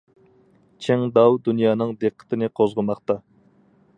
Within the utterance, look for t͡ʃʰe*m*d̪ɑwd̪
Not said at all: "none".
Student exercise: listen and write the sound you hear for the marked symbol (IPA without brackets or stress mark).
ŋ